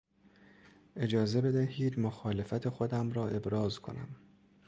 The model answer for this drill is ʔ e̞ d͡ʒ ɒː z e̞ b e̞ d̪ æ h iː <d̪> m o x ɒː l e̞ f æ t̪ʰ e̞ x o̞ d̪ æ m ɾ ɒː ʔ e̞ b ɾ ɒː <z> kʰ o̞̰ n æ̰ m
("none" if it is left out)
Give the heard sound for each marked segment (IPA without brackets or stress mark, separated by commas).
d̪, z